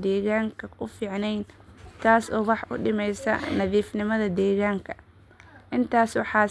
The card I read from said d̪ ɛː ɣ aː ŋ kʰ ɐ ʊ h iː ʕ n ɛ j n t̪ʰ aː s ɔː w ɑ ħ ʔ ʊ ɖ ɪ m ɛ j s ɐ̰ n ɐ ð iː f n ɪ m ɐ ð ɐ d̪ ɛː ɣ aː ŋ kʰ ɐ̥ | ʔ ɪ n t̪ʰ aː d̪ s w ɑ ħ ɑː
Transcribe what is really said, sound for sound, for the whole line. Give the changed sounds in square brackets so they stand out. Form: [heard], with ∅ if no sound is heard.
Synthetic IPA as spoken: d̪ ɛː ɣ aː ŋ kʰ ɐ ʊ [f] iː ʕ n ɛ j n t̪ʰ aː s ɔː w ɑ ħ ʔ ʊ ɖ ɪ m ɛ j s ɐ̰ n ɐ ð iː f n ɪ m ɐ ð ɐ d̪ ɛː ɣ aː ŋ kʰ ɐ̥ | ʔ ɪ n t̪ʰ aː [∅] s w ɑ ħ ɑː